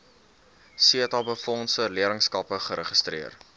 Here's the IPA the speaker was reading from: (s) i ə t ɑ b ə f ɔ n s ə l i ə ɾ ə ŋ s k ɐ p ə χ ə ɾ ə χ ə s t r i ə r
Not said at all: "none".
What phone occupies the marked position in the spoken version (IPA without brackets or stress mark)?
s